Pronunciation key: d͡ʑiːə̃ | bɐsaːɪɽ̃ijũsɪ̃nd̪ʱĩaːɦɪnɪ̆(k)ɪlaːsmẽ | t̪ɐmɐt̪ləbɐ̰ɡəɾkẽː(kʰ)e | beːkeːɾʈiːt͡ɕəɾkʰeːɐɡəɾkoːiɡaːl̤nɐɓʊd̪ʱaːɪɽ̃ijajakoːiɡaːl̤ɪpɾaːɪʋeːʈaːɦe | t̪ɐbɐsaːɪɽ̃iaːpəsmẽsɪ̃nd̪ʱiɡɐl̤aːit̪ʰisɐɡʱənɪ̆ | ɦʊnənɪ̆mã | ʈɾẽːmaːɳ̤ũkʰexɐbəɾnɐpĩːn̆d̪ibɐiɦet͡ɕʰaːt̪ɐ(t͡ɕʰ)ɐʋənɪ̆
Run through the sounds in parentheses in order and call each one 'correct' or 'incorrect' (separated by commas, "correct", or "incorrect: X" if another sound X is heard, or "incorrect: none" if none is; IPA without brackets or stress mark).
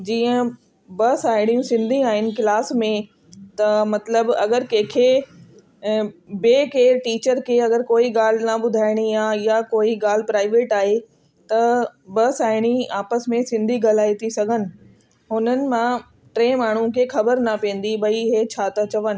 correct, correct, incorrect: t͡ɕ